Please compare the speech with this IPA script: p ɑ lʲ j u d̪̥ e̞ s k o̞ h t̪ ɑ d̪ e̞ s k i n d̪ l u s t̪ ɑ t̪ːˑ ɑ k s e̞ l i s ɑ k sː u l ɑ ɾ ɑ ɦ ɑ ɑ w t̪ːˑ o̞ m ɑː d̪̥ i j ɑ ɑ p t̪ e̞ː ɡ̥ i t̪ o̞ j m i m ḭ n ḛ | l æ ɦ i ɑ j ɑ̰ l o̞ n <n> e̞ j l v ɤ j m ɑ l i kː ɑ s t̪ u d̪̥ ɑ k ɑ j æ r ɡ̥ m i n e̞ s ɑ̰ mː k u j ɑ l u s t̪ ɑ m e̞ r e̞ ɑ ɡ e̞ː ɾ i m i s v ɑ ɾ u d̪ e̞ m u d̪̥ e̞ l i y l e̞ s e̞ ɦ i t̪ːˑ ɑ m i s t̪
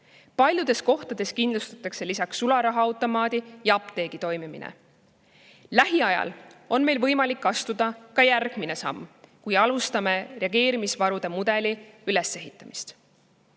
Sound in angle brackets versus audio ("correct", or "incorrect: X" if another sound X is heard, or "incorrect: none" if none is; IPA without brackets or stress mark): incorrect: m